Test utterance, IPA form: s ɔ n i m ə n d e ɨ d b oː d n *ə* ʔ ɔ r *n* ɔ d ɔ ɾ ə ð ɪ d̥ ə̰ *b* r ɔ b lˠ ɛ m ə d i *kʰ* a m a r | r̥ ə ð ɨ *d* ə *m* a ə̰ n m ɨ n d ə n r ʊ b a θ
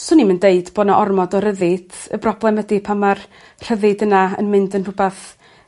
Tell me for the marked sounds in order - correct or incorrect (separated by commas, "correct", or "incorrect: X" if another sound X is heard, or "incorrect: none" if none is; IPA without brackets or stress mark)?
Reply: incorrect: a, incorrect: m, correct, incorrect: pʰ, correct, incorrect: n